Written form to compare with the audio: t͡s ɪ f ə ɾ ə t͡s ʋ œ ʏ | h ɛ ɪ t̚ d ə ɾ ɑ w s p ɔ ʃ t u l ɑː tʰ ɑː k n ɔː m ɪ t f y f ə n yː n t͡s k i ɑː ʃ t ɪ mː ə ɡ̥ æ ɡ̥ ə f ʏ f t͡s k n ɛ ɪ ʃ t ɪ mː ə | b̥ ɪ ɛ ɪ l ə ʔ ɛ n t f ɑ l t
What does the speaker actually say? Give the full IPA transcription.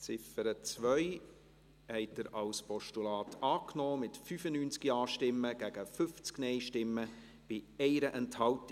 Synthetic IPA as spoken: t͡s ɪ f ə ɾ ə t͡s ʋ œ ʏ | h ɛ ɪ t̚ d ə ɾ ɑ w s p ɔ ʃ t u l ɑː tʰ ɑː k n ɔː m ɪ t f y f ə n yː n t͡s k i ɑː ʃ t ɪ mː ə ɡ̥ æ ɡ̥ ə f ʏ f t͡s k n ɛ ɪ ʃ t ɪ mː ə | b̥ ɪ ɛ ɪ ɾ ə ʔ ɛ n t h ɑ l t